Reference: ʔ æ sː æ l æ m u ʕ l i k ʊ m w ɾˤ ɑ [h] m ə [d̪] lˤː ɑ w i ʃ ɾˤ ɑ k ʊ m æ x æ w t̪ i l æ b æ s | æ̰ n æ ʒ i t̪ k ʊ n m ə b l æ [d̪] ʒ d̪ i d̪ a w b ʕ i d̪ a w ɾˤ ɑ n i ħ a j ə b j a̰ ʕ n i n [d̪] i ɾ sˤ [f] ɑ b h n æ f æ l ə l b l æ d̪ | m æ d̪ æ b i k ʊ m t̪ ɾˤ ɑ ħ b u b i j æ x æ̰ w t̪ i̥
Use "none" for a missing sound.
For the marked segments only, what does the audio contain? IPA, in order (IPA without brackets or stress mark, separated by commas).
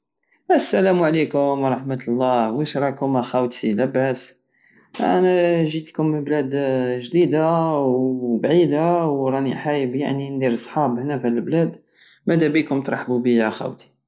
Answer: ħ, t̪, d̪, d̪, ħ